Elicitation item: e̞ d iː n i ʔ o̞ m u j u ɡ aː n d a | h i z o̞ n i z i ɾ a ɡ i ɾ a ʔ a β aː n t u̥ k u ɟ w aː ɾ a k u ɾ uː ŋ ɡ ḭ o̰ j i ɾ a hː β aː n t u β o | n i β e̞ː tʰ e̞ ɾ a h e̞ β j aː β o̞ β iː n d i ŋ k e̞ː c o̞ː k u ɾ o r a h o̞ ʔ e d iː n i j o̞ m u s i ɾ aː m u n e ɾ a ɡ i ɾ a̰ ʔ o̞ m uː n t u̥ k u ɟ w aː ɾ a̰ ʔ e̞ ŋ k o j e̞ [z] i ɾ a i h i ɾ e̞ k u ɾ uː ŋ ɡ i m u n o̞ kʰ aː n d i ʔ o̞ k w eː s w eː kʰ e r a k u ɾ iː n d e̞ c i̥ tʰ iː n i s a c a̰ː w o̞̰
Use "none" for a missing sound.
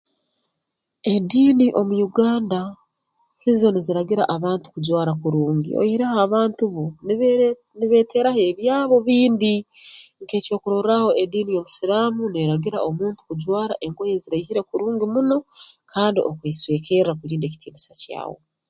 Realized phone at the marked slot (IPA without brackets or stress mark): z